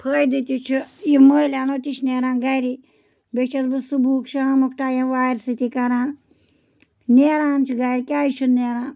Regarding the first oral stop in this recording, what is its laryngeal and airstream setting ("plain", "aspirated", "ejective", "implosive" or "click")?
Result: aspirated